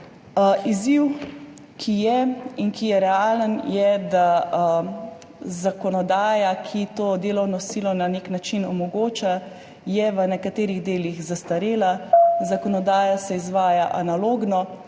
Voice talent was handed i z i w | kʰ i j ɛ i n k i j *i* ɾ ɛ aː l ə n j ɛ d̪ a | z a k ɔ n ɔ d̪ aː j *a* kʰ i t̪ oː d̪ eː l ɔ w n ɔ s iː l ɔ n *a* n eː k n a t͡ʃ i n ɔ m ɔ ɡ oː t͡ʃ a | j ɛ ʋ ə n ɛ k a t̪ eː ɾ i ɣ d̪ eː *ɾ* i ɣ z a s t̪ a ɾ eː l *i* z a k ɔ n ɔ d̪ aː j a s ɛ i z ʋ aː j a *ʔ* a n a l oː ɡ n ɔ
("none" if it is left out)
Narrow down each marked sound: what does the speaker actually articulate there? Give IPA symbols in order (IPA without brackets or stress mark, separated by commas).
ɛ, a, a, l, a, ʔ